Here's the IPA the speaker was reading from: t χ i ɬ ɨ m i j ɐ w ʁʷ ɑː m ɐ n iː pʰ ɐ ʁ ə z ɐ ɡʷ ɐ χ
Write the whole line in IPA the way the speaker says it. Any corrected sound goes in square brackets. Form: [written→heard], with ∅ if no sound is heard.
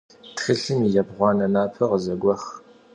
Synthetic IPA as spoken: t χ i ɬ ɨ m i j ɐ [w→b] ʁʷ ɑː [m→n] ɐ n [iː→aː] pʰ ɐ ʁ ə z ɐ ɡʷ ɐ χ